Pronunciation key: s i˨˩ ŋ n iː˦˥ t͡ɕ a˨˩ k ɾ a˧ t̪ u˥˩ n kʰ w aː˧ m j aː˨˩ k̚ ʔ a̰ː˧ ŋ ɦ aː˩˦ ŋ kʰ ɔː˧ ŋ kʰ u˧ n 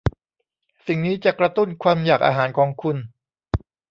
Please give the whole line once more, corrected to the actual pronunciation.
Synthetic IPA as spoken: s i˨˩ ŋ n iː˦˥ t͡ɕ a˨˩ k ɾ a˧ t̪ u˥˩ n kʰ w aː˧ m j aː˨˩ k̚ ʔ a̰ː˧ ɦ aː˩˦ n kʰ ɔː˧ ŋ kʰ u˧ n